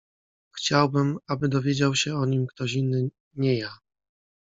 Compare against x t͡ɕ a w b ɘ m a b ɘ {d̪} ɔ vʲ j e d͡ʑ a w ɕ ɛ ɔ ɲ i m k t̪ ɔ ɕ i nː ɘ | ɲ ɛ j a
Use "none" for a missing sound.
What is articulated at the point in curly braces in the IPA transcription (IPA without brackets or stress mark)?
d̪